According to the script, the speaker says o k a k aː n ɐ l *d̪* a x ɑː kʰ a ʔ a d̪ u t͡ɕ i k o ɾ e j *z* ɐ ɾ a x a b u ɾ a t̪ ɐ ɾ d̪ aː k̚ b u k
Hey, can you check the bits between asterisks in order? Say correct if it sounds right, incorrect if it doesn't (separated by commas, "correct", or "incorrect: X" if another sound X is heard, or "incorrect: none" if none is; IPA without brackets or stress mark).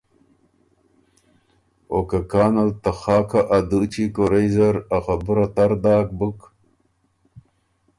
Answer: incorrect: t̪, correct